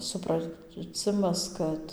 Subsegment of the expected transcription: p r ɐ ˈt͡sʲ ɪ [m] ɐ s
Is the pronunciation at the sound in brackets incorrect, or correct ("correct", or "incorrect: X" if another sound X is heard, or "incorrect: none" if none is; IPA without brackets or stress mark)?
correct